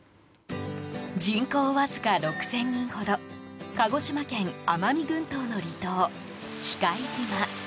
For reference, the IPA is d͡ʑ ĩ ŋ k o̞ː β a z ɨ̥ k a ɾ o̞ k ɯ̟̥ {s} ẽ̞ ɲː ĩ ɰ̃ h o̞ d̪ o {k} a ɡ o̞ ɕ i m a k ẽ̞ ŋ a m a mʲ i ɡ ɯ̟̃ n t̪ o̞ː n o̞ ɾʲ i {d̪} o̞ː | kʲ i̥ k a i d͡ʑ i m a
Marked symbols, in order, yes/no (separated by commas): yes, yes, no